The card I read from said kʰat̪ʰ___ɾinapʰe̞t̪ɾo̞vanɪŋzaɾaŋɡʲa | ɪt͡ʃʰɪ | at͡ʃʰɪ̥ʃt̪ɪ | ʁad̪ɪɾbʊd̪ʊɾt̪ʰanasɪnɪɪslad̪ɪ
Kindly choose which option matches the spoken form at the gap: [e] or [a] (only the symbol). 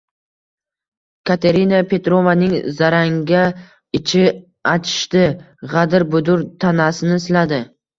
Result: e